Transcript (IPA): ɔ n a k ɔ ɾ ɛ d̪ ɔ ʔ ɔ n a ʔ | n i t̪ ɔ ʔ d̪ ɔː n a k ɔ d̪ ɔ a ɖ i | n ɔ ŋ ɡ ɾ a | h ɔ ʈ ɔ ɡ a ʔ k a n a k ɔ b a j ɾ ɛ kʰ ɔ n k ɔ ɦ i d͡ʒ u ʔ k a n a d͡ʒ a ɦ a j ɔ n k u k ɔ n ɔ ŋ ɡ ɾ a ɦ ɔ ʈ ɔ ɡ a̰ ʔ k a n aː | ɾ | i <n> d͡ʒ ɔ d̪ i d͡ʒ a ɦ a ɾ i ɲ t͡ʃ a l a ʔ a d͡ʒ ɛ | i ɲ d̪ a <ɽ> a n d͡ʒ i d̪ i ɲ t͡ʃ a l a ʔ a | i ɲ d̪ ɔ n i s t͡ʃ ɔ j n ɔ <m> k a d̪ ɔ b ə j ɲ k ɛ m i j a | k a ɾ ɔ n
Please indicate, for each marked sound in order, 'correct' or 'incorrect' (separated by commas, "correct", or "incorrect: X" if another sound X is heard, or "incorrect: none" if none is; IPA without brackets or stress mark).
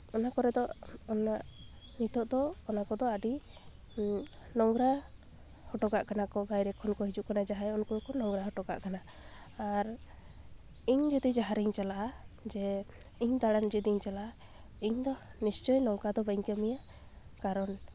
incorrect: ɲ, correct, incorrect: ŋ